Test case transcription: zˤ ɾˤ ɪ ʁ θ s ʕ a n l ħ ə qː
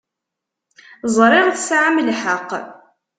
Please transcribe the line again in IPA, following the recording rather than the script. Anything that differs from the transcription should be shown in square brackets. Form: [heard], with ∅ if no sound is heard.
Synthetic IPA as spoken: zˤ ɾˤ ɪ ʁ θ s ʕ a [m] l ħ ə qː